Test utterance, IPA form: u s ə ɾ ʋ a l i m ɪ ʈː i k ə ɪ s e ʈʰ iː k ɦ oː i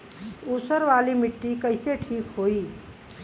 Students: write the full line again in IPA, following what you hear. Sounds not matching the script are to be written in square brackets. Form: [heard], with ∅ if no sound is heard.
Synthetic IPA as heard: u s ə ɾ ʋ a l i m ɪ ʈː i k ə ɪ s e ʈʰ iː k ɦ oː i